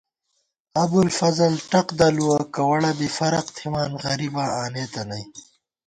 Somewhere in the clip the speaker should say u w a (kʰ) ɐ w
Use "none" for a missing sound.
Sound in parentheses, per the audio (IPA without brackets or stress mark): k